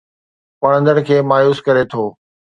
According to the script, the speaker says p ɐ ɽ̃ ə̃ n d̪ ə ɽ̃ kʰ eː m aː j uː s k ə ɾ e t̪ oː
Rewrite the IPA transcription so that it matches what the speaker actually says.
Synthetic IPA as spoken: p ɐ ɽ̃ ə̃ n d̪ ə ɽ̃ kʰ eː m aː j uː s k ɐ ɾ e t̪ʰ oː